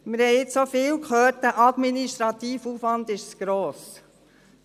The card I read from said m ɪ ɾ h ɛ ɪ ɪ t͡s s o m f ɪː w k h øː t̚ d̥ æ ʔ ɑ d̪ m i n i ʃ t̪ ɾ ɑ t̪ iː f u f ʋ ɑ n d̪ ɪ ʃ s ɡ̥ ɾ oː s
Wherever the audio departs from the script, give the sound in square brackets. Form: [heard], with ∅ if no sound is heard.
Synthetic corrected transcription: m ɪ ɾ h ɛ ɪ ɪ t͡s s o [∅] f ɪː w k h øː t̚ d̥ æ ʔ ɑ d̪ m i n i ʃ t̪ ɾ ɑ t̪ iː f u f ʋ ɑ n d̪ ɪ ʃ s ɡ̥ ɾ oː s

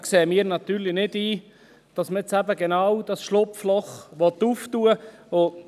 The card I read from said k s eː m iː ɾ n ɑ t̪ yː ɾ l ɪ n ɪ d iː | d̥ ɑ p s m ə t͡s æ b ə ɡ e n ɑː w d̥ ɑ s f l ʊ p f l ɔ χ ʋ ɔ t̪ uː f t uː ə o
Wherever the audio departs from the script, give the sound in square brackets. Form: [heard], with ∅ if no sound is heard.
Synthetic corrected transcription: k s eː m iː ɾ n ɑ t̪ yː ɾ l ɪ n ɪ d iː | d̥ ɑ [∅] s m ə t͡s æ b ə ɡ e n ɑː w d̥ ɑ s [ʃ] l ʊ p f l ɔ χ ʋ ɔ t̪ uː f t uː ə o

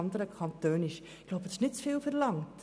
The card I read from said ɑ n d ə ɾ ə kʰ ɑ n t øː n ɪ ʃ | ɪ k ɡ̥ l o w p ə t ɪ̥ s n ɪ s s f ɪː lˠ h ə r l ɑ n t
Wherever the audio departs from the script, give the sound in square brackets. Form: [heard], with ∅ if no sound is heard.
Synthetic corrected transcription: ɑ n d ə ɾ ə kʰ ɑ n t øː n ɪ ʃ | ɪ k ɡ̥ l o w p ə t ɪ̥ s n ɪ [t] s f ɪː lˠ [f] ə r l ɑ [ŋ] t

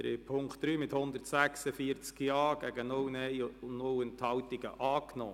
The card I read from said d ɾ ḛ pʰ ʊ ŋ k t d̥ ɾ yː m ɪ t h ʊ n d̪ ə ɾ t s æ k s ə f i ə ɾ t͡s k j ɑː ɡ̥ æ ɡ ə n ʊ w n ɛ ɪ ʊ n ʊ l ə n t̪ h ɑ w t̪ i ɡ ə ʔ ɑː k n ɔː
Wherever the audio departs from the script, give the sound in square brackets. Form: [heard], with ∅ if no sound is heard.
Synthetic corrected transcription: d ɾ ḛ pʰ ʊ ŋ k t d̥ ɾ yː m ɪ t h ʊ n d̪ ə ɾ t s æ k s ə f i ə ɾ t͡s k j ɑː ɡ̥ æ ɡ ə n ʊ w n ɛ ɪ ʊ n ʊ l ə n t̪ h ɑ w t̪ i ɡ ə ʔ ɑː k n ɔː

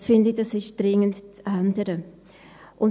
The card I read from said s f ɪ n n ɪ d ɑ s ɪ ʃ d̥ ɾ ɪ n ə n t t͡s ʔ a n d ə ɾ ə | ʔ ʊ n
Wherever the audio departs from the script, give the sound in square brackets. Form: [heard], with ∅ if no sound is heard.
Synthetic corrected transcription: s f ɪ n [d] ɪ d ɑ s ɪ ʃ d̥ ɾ ɪ [ŋ] ə n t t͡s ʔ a n d ə ɾ ə | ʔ ʊ n

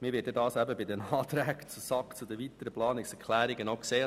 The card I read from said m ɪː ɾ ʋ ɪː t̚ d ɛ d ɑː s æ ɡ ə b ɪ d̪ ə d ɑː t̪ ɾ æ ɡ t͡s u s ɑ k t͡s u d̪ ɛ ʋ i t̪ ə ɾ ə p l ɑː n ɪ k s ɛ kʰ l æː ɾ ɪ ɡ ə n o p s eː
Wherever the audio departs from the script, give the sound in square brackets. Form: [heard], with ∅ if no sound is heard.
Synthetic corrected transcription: m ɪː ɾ ʋ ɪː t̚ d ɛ d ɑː s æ [b] ə b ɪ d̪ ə [n] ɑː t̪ ɾ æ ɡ t͡s u s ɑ k t͡s u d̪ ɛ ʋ i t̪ ə ɾ ə p l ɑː n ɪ k s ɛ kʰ l æː ɾ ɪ ɡ ə n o [k] s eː

